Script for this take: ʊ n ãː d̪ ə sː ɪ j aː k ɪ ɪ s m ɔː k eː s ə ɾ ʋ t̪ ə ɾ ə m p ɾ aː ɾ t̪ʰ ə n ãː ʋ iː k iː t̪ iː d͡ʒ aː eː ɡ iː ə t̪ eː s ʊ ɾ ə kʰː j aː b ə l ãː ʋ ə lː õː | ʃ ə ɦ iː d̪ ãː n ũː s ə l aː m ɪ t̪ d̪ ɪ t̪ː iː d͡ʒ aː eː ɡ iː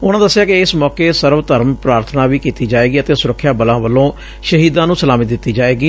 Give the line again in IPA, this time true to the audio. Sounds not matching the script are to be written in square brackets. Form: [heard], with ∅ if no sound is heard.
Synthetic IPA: ʊ n ãː d̪ ə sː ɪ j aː k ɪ ɪ s m ɔː k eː s ə ɾ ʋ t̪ ə ɾ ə m p ɾ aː ɾ t̪ʰ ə n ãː ʋ iː k iː t̪ iː d͡ʒ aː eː ɡ iː ə t̪ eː s ʊ ɾ ə kʰː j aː b ə l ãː ʋ ə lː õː | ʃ ə ɦ iː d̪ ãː n ũː s ə l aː m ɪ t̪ d̪ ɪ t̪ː iː d͡ʒ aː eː ɡ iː